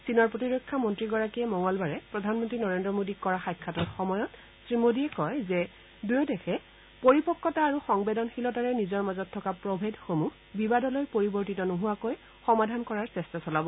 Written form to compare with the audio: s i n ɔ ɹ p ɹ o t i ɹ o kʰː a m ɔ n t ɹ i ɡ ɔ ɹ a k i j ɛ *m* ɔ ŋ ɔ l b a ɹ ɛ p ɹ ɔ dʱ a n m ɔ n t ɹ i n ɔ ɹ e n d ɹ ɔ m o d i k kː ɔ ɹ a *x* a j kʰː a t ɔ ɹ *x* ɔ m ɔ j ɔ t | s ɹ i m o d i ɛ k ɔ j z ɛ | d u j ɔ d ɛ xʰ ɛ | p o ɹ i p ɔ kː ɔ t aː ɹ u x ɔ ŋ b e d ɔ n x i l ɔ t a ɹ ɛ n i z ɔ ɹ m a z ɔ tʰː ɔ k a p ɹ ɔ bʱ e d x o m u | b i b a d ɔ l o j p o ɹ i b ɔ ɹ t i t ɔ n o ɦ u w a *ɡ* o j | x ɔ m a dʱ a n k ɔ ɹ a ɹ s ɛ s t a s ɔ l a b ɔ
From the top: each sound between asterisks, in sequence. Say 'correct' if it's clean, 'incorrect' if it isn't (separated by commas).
correct, correct, correct, incorrect